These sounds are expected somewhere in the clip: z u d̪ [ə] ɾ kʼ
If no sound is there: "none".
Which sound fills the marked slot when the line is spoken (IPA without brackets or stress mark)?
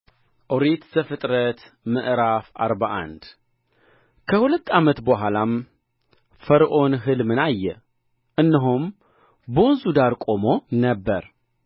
a